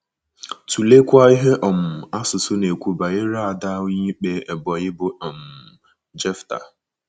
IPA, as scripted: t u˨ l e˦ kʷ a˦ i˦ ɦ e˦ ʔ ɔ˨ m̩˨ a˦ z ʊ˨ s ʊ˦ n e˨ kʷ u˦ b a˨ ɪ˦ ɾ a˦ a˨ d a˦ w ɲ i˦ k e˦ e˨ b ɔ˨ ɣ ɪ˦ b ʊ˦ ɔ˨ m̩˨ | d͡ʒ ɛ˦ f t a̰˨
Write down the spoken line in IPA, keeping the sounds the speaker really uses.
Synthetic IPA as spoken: t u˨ l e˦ kʷ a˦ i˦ ɦ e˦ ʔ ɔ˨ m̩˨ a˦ s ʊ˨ s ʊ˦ n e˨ kʷ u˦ b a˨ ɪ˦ ɾ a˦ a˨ d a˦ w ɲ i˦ k͡p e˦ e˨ b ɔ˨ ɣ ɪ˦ b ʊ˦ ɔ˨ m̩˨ | d͡ʒ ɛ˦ f t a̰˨